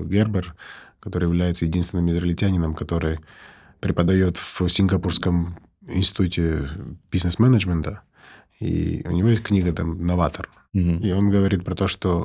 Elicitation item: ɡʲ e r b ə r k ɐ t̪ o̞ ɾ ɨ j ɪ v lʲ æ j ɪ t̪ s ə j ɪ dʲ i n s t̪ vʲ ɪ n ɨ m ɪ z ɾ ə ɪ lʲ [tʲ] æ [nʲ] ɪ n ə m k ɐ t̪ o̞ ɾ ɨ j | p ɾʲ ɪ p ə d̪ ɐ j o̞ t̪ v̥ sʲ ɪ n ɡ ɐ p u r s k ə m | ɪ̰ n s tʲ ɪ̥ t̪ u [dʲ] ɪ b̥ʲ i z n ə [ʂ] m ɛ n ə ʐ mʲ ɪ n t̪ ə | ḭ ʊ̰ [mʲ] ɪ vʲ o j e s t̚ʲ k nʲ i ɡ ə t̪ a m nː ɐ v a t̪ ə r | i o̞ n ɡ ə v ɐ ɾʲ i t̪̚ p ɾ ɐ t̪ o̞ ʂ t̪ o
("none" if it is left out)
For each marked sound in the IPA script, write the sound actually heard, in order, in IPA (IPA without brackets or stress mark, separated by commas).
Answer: tʲ, nʲ, tʲ, s, nʲ